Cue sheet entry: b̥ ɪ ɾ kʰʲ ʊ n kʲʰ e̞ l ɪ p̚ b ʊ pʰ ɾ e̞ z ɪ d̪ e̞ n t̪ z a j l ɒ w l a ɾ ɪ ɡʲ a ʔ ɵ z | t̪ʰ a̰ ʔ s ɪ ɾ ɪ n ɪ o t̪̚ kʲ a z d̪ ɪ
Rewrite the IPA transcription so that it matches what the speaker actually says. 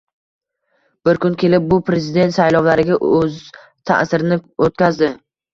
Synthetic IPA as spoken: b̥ ɪ ɾ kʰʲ ʊ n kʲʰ e̞ l ɪ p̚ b ʊ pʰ ɾ e̞ z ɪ d̪ e̞ n t̪ s a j l ɒ w l a ɾ ɪ ɡʲ a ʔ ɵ z | t̪ʰ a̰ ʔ s ɪ ɾ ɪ n ɪ o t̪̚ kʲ a z d̪ ɪ